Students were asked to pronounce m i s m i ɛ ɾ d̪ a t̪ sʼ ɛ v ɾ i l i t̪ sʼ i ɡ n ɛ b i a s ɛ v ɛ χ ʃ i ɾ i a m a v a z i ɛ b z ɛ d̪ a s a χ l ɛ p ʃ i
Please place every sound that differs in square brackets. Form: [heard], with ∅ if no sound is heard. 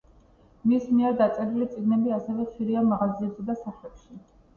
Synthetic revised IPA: m i s m i ɛ ɾ d̪ a t̪ sʼ ɛ [∅] ɾ i l i t̪ sʼ i ɡ n ɛ b i a s ɛ v ɛ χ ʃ i ɾ i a m a [ʁ] a z i ɛ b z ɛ d̪ a s a χ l ɛ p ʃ i